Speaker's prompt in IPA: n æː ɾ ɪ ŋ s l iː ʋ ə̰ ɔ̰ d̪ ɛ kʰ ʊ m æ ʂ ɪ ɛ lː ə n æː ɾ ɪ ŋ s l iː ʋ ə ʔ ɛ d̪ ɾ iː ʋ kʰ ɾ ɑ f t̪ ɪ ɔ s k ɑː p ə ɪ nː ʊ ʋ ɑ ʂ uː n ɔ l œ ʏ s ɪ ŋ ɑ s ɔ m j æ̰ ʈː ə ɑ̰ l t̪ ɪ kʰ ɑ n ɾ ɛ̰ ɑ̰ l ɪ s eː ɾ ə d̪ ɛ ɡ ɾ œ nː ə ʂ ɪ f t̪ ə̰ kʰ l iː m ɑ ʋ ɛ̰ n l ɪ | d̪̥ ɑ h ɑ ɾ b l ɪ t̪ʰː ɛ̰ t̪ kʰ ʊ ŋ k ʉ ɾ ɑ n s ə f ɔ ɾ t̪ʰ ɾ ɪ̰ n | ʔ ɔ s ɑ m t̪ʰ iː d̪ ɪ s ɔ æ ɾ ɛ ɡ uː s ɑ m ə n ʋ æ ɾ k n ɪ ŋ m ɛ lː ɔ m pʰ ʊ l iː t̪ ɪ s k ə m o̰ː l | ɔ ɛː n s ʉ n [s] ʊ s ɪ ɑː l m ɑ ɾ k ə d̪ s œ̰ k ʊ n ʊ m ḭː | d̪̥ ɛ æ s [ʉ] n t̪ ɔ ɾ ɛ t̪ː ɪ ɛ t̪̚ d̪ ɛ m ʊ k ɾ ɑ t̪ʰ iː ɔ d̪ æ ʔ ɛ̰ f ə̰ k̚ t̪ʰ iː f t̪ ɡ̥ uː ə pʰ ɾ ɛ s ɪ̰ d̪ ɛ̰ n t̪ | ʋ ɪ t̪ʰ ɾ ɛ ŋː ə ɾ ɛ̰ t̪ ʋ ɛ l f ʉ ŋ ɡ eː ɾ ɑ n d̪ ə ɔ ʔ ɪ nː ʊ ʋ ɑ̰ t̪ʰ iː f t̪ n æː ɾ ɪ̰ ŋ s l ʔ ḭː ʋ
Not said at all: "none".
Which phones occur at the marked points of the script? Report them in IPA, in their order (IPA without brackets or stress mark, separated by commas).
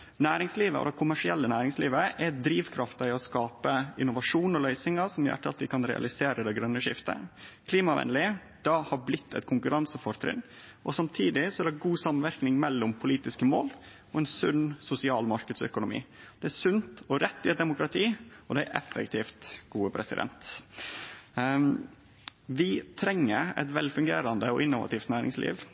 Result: s, ʉ